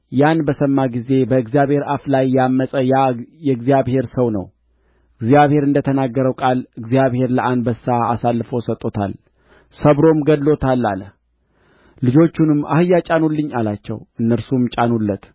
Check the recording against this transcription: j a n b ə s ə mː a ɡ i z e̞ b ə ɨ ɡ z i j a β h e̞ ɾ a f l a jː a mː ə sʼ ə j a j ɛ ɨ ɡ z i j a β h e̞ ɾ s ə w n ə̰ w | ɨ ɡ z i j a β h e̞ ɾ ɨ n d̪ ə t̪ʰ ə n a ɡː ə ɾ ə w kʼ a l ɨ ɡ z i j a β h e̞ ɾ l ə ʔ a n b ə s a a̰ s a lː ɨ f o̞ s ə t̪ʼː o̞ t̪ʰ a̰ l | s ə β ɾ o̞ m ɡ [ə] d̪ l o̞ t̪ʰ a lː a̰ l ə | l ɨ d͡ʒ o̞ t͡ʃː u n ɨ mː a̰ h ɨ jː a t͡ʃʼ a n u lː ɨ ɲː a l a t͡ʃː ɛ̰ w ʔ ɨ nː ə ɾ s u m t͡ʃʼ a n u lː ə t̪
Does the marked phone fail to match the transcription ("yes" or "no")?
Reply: no